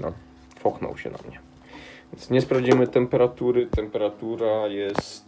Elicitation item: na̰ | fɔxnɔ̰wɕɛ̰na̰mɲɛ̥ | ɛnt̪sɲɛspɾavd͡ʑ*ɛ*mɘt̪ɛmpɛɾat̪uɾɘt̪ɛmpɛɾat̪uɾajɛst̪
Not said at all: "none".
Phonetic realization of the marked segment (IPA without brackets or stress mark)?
i